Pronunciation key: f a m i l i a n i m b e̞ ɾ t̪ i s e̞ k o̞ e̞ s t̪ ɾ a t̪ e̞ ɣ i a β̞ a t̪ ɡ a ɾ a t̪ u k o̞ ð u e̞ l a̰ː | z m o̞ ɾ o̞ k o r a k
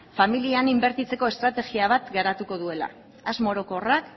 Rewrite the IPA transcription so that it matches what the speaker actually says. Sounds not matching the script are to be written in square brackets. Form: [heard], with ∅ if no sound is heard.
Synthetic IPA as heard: f a m i l i a n i m b e̞ ɾ t̪ i [t͡s] e̞ k o̞ e̞ s t̪ ɾ a t̪ e̞ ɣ i a β̞ a t̪ ɡ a ɾ a t̪ u k o̞ ð u e̞ l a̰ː | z m o̞ ɾ o̞ k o r a k